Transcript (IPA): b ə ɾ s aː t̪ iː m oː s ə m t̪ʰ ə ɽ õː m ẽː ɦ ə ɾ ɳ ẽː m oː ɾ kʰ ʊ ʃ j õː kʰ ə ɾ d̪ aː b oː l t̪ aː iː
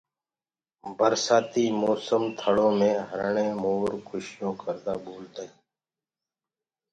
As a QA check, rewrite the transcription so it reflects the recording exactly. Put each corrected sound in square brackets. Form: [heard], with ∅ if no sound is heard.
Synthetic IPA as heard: b ə ɾ s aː t̪ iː m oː s ə m t̪ʰ ə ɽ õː m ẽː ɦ ə ɾ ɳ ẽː m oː ɾ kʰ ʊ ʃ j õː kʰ ə ɾ d̪ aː b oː l t̪ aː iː